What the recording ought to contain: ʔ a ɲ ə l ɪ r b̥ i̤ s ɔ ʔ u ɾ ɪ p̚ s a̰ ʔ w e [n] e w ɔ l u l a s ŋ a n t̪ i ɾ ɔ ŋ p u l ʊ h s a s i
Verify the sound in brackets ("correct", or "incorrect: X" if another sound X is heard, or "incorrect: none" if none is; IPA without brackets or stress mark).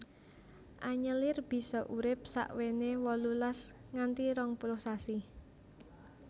correct